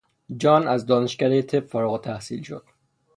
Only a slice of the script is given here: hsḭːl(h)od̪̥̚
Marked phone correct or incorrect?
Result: incorrect